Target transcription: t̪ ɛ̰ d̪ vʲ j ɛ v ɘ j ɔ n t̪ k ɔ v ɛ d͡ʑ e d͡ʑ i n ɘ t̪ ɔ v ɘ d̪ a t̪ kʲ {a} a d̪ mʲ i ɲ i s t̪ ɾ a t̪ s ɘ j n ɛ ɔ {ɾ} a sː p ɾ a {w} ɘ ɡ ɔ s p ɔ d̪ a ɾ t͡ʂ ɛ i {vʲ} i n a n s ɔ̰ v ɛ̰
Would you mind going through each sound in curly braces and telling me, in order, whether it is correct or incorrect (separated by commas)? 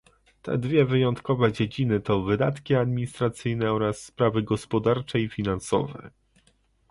incorrect, correct, incorrect, incorrect